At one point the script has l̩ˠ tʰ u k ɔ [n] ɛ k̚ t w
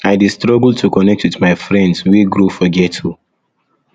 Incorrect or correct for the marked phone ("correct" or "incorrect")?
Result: correct